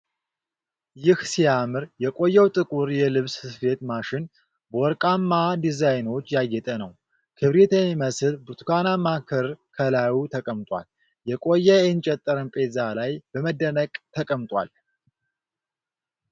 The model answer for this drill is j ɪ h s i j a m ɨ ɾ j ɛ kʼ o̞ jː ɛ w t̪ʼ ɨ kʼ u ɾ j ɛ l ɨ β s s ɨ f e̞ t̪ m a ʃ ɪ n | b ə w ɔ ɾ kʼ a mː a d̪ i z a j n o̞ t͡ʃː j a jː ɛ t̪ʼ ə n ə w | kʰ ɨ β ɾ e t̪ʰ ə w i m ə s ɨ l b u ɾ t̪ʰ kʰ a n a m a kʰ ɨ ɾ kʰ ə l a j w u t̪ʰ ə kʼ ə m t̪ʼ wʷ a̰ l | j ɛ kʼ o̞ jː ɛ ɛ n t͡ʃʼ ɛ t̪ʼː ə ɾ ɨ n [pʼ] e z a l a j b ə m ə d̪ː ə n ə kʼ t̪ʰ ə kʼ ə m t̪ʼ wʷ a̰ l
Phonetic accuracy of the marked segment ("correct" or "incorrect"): correct